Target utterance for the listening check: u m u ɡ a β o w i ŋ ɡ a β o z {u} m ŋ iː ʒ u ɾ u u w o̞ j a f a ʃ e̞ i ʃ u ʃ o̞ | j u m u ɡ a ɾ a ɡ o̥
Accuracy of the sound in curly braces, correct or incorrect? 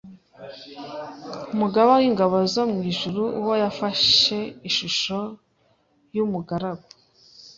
incorrect